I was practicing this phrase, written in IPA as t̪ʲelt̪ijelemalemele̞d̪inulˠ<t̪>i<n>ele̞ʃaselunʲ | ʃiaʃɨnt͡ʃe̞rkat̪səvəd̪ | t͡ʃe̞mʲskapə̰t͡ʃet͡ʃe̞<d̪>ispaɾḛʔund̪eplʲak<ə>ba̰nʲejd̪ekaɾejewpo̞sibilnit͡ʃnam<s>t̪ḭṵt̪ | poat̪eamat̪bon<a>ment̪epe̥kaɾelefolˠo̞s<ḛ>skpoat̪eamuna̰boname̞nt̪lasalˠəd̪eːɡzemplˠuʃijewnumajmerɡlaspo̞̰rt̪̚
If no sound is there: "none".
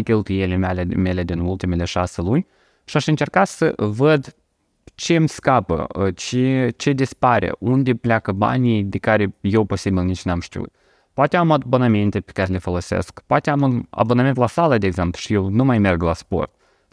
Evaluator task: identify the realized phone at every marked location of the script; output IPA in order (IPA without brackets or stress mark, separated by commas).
t̪, m, d̪, ə, ʃ, a, ḛ